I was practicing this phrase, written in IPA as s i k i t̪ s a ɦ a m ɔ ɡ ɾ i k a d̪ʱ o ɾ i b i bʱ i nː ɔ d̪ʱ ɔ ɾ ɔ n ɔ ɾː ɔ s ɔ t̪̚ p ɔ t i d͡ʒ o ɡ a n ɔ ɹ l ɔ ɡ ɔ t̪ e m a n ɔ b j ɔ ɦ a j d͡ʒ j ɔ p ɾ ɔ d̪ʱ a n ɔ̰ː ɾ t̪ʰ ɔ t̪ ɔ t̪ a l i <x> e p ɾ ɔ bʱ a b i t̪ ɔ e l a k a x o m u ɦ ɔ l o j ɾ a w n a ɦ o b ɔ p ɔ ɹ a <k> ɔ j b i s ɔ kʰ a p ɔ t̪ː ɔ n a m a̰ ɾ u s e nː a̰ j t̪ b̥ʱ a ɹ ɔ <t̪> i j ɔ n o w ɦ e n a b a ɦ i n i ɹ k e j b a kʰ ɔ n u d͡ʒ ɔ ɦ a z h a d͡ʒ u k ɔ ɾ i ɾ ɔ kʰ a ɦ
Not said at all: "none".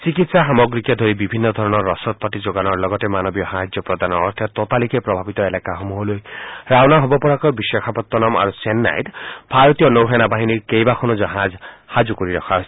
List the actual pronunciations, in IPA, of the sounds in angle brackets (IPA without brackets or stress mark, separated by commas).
k, k, t̪